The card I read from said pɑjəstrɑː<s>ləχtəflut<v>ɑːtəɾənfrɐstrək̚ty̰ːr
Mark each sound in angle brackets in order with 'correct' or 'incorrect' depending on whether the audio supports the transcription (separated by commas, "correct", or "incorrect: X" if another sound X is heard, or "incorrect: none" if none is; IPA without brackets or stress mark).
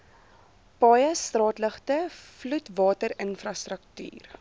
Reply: incorrect: t, correct